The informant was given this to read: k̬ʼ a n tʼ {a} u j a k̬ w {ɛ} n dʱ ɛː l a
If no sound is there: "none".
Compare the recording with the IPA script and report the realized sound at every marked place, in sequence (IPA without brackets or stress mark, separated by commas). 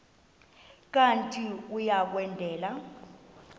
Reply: i, ɛ